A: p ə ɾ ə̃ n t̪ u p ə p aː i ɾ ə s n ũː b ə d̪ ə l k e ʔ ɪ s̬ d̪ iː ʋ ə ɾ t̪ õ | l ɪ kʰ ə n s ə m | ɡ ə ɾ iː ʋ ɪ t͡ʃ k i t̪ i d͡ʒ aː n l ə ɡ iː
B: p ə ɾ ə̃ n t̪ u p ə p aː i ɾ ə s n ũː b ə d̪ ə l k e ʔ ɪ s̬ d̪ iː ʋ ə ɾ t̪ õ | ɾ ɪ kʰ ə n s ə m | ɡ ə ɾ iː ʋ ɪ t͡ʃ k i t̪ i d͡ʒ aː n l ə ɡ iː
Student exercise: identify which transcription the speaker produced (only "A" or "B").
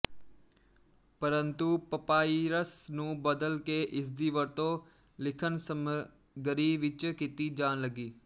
A